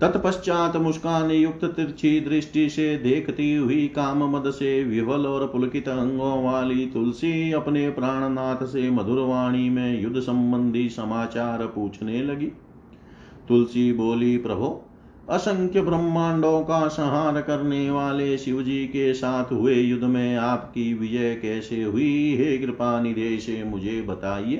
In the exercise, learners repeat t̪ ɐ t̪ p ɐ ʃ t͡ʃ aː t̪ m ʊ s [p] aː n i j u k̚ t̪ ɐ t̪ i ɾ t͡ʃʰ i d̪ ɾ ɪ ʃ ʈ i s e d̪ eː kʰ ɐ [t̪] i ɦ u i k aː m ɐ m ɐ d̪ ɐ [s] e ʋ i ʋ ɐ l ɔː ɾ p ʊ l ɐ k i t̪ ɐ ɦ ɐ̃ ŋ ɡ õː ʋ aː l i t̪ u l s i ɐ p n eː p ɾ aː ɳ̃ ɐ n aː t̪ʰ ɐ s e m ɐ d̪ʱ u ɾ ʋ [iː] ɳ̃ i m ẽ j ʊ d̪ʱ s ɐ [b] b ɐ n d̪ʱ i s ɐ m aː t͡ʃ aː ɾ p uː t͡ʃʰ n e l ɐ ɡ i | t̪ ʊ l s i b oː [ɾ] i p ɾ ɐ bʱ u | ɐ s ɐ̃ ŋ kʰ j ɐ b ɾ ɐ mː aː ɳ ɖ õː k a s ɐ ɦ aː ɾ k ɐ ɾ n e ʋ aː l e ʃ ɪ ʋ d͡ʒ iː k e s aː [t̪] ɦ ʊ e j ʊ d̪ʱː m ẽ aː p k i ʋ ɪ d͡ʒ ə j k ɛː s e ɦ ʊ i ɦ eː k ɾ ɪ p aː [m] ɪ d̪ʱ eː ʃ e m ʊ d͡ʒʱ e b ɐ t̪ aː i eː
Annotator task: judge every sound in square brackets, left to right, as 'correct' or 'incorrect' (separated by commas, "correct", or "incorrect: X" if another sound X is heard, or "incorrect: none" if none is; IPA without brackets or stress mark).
incorrect: k, correct, correct, incorrect: aː, incorrect: m, incorrect: l, incorrect: t̪ʰ, incorrect: n